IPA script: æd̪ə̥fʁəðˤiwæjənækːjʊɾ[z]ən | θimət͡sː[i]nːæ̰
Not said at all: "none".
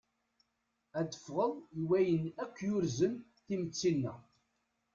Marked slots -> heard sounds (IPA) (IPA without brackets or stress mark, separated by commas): z, i